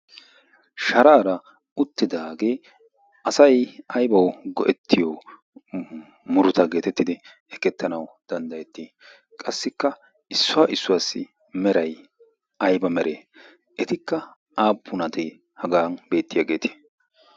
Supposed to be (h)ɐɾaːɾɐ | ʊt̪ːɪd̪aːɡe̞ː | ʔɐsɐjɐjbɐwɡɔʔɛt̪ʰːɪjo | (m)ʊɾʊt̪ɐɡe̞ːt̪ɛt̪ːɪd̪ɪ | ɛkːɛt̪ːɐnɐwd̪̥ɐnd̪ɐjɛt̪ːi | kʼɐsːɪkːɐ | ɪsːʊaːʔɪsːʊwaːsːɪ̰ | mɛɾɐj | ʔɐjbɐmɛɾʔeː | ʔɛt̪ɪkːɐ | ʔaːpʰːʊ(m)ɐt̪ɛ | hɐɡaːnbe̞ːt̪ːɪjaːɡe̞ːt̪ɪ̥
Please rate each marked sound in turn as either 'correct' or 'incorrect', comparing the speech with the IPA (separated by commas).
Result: incorrect, correct, incorrect